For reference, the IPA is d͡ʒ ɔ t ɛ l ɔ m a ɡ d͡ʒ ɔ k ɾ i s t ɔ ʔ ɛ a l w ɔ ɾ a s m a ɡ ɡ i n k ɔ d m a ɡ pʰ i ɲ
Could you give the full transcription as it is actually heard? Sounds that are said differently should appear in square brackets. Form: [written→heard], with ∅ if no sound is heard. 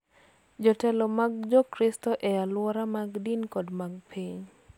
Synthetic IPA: d͡ʒ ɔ t ɛ l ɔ m a ɡ d͡ʒ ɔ k ɾ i s t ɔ ʔ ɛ a l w ɔ ɾ a [s→∅] m a ɡ [ɡ→d] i n k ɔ d m a ɡ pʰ i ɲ